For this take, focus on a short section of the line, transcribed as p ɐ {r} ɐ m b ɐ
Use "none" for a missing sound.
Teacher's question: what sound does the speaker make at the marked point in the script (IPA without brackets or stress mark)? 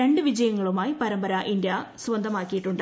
ɾ